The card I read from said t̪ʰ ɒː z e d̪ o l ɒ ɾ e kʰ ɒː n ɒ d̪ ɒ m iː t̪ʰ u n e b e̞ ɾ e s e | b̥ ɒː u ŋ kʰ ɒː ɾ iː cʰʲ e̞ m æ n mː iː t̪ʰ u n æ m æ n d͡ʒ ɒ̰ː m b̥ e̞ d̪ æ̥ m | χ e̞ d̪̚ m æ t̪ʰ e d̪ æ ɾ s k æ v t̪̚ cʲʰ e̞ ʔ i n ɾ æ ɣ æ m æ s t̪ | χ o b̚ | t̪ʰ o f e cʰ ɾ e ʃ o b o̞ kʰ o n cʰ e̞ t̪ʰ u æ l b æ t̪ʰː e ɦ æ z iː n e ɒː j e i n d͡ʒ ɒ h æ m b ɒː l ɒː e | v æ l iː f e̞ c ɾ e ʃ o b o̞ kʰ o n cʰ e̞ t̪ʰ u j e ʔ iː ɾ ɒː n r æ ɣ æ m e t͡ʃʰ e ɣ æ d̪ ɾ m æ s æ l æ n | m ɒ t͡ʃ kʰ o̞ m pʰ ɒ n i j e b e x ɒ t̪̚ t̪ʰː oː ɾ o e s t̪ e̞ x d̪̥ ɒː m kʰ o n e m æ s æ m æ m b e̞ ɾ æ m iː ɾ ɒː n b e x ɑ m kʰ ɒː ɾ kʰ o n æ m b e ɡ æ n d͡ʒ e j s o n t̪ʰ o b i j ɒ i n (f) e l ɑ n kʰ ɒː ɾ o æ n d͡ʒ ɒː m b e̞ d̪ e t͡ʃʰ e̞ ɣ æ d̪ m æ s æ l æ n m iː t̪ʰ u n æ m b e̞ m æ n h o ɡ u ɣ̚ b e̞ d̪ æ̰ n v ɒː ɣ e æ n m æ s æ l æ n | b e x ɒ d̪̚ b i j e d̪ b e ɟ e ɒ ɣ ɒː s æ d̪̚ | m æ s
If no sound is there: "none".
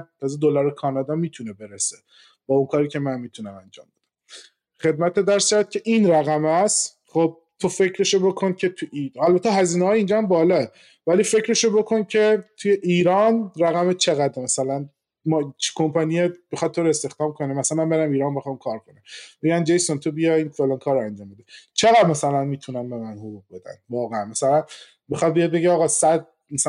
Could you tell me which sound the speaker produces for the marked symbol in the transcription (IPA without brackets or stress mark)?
f